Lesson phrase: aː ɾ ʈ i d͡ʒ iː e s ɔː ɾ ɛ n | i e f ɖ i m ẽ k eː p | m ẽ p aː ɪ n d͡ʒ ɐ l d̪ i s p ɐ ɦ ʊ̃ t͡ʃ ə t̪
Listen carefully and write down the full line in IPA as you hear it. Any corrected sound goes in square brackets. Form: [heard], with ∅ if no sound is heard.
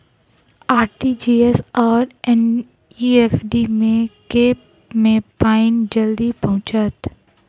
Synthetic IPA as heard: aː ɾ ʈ i d͡ʒ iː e s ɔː ɾ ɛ n | i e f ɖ i m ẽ k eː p | m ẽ p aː ɪ n d͡ʒ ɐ l d̪ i [∅] p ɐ ɦ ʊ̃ t͡ʃ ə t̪